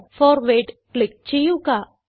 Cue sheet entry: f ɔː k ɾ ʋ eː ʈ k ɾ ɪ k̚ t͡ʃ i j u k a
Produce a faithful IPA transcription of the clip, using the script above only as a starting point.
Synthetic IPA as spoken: f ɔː ɾ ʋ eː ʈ k l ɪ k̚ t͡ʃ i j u k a